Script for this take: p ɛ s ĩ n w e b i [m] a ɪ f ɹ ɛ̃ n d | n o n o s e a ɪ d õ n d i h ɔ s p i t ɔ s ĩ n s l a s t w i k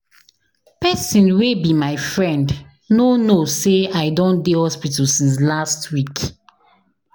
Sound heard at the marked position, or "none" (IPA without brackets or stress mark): m